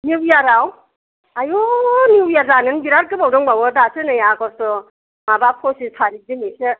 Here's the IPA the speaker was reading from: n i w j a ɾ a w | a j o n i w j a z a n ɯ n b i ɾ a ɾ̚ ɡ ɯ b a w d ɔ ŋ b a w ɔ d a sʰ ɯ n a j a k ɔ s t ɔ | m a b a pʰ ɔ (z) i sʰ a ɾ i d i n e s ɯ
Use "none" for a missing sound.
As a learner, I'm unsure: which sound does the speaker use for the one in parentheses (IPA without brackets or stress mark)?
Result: s